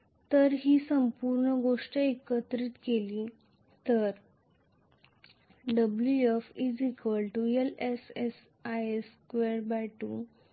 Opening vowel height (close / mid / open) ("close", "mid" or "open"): mid